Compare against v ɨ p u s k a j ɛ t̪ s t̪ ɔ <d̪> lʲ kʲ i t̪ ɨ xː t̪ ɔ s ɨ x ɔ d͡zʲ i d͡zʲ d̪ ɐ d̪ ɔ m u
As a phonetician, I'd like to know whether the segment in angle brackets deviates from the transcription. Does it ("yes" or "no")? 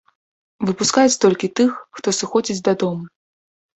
yes